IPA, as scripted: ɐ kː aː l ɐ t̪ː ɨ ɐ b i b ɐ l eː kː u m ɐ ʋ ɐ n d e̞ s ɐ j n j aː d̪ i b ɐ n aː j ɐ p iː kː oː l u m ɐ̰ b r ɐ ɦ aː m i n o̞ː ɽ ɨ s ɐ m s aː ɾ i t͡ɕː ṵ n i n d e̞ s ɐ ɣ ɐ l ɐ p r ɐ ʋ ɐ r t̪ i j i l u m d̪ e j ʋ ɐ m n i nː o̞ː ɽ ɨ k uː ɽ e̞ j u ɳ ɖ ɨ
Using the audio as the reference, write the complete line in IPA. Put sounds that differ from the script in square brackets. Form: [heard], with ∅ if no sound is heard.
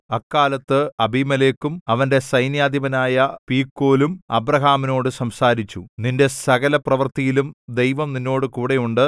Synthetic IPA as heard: ɐ kː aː l ɐ t̪ː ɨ ɐ b i [m] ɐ l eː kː u m ɐ ʋ ɐ n d e̞ s ɐ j n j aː d̪ i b ɐ n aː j ɐ p iː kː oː l u m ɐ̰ b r ɐ ɦ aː m i n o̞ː ɽ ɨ s ɐ m s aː ɾ i t͡ɕː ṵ n i n d e̞ s ɐ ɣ ɐ l ɐ p r ɐ ʋ ɐ r t̪ i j i l u m d̪ e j ʋ ɐ m n i nː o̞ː ɽ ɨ k uː ɽ e̞ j u ɳ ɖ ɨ